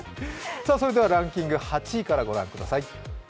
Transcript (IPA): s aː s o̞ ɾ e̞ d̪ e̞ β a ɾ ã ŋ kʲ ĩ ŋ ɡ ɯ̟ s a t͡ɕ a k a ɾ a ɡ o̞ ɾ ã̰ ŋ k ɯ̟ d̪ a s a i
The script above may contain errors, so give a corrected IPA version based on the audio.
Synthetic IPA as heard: s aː s o̞ ɾ e̞ d̪ e̞ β a ɾ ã ŋ kʲ ĩ ŋ ɡ ɯ̟ h a t͡ɕ i k a ɾ a ɡ o̞ ɾ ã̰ ŋ k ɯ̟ d̪ a s a i